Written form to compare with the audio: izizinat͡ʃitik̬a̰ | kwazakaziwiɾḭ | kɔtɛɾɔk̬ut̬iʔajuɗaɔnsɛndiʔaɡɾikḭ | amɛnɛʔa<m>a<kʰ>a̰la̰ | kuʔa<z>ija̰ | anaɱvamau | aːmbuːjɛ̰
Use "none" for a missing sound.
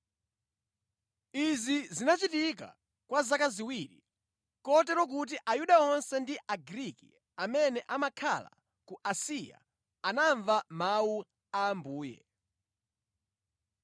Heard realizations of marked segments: m, kʰ, s

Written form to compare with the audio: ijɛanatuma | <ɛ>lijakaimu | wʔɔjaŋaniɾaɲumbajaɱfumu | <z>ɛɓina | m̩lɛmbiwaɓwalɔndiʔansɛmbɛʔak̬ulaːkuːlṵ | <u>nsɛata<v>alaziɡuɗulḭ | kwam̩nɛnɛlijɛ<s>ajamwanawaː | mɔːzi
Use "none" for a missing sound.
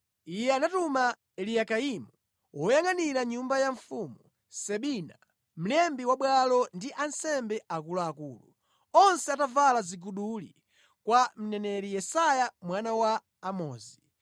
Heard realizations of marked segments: ɛ, s, ɔ, v, s

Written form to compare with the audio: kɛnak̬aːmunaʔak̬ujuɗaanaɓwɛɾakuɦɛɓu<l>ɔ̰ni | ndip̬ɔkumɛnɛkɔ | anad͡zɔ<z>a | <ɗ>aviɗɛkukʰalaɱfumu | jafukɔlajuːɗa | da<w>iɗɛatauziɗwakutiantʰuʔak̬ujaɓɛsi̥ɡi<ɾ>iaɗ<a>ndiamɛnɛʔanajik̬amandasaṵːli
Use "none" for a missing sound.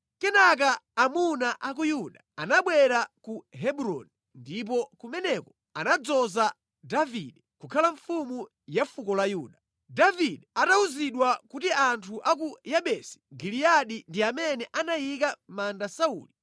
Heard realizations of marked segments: ɾ, z, d, v, l, i

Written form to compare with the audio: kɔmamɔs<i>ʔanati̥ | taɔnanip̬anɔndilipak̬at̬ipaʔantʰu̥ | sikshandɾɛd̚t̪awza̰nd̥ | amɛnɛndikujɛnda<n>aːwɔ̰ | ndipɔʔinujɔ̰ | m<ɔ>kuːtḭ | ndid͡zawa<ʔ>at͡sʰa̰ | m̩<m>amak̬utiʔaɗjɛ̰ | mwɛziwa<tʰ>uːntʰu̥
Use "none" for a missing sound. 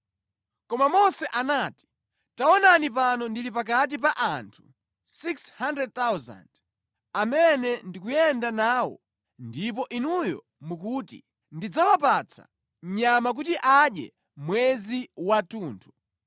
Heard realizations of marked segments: ɛ, n, u, p, ɲ, t

